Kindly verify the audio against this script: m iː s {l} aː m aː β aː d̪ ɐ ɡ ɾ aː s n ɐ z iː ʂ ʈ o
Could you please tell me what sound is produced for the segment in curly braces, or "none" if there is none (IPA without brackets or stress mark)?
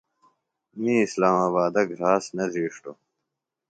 l